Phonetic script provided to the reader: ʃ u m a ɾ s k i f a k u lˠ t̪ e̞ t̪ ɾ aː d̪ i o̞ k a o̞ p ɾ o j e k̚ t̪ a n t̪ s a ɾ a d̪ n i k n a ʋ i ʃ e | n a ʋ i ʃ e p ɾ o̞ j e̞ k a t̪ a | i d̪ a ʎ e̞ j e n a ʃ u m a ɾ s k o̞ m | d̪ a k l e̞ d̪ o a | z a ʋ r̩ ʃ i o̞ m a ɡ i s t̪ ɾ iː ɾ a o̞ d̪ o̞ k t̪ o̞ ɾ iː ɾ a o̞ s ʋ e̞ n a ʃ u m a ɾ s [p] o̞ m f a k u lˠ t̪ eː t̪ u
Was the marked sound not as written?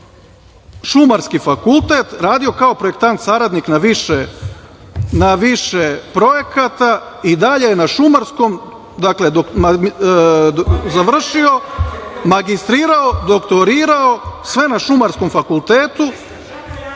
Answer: yes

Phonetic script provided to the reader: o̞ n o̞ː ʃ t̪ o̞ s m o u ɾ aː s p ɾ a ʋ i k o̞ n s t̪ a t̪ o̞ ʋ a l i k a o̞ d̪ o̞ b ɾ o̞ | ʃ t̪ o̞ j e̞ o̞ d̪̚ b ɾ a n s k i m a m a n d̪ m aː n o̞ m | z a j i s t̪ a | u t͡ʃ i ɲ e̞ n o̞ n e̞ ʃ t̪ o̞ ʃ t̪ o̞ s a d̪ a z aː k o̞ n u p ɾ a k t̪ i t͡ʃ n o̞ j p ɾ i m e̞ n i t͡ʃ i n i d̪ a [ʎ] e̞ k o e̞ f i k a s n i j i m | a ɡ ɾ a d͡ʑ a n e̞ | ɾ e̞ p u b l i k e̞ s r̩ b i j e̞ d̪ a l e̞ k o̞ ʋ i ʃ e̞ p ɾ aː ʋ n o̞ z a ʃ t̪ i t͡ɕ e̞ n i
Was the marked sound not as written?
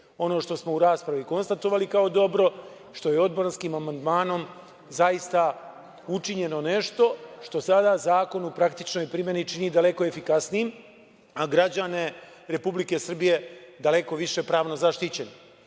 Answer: yes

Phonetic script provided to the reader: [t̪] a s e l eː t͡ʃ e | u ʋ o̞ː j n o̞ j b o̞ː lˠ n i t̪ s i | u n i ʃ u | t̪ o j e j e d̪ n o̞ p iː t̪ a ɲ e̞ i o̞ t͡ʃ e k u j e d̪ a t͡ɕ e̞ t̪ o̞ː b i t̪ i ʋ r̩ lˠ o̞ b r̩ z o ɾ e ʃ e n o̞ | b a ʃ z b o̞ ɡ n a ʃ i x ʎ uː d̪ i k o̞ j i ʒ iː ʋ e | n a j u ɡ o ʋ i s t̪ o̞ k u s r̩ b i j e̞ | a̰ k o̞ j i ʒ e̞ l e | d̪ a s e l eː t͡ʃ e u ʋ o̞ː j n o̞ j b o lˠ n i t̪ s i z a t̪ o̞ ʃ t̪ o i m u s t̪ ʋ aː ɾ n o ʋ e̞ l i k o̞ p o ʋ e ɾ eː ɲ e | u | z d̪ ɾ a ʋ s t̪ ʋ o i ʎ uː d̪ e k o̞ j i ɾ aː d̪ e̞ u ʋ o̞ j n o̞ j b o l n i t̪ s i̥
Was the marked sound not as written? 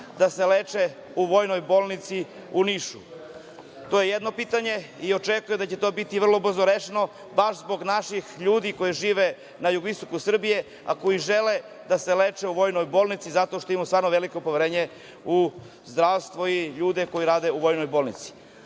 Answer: yes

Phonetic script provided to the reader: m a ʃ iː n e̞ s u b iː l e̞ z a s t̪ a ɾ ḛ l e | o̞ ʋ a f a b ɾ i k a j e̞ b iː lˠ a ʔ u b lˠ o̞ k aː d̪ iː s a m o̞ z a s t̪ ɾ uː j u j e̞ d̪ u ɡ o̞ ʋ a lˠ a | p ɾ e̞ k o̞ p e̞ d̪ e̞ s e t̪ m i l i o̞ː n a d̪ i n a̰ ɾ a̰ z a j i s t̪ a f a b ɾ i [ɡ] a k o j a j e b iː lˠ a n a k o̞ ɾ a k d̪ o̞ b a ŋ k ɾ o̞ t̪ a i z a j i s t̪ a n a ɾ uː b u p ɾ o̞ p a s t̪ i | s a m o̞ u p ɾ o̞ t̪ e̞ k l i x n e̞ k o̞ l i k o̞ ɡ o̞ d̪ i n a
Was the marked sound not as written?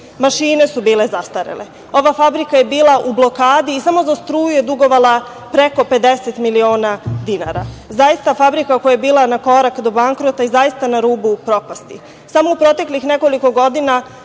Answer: yes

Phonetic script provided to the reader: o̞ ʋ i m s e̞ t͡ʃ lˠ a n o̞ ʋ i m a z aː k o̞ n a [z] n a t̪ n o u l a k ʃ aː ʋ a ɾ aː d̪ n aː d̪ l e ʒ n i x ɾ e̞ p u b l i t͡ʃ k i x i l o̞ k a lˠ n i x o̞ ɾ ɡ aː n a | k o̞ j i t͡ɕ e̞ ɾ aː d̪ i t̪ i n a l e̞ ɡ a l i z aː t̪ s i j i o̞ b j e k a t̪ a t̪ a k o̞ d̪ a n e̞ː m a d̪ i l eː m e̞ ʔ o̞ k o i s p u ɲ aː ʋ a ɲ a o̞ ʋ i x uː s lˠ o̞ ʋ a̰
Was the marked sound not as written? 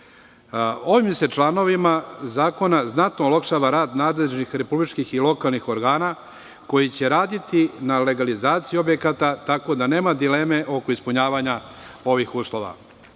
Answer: no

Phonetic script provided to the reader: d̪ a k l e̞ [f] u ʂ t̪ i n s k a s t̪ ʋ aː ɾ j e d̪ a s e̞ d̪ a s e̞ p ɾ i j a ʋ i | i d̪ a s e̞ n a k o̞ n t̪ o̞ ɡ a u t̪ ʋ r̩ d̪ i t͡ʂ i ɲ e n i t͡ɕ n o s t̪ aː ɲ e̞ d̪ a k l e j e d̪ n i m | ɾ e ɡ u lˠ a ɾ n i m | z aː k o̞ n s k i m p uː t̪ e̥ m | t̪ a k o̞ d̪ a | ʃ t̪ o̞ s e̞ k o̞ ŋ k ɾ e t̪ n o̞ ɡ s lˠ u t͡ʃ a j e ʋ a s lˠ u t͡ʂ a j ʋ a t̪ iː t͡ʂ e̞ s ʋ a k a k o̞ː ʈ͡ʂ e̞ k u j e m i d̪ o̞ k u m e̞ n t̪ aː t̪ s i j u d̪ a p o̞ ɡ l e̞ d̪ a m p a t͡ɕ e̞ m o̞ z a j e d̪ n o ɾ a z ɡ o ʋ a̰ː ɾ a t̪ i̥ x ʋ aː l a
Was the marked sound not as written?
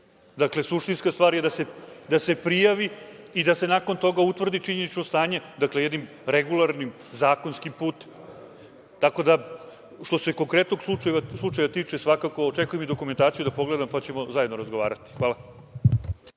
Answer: yes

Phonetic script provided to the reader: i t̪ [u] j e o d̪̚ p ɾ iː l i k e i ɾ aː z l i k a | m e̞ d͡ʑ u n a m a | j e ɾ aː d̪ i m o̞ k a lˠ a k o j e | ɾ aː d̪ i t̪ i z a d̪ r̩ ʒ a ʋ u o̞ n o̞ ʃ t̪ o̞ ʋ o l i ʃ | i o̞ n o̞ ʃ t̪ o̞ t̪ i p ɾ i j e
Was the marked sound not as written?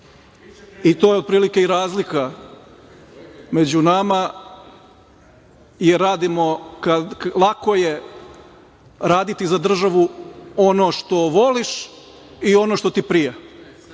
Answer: yes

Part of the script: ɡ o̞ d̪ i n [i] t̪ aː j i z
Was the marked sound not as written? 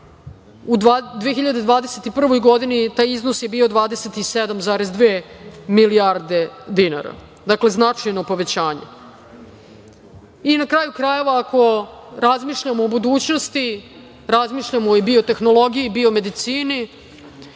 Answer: no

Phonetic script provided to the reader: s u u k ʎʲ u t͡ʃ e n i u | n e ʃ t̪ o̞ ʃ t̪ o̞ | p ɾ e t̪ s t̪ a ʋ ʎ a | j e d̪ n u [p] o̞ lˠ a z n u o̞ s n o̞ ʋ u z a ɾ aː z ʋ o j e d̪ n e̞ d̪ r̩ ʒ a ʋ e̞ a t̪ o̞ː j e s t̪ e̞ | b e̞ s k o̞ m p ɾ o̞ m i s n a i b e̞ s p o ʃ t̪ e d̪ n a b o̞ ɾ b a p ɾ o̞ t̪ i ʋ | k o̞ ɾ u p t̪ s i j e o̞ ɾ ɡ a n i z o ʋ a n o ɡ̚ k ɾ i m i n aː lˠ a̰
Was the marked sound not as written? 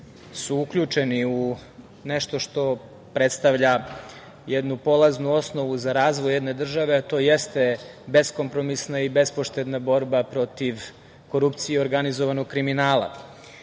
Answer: no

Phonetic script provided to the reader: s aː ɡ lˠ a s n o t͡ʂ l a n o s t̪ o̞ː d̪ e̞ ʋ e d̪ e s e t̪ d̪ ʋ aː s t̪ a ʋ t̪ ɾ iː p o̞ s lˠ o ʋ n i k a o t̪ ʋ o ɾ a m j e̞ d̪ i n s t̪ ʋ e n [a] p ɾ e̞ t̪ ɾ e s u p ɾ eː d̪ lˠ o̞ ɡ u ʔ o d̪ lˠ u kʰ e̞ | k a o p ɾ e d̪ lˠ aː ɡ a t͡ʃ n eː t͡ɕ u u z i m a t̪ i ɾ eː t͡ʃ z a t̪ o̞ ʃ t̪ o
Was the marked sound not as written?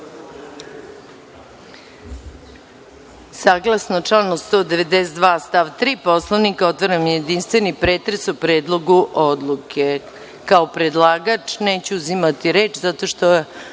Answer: yes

